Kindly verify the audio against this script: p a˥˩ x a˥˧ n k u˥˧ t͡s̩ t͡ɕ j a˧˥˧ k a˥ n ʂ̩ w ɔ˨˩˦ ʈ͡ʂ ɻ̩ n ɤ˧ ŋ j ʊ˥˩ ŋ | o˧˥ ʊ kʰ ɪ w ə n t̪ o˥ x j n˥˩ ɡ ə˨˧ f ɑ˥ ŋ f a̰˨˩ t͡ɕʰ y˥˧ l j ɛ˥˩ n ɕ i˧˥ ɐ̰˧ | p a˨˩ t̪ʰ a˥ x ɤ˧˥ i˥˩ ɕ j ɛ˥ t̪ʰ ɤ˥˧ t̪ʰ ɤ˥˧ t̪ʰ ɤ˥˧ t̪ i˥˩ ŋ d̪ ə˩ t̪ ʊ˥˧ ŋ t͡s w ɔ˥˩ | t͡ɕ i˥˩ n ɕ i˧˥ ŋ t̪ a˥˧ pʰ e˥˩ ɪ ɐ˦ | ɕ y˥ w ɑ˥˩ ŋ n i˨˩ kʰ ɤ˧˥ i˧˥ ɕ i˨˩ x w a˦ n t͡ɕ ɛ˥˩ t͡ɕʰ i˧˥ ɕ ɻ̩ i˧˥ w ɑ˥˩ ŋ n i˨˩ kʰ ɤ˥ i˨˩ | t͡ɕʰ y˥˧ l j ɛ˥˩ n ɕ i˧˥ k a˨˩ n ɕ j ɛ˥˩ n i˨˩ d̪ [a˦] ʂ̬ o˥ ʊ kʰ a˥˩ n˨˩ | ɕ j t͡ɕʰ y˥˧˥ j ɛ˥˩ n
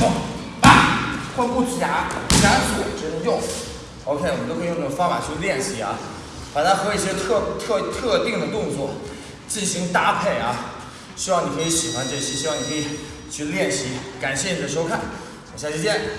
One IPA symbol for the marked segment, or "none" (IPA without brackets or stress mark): ə˦